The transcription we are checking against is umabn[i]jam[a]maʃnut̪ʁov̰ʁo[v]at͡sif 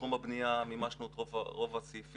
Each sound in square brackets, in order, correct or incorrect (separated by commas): correct, incorrect, correct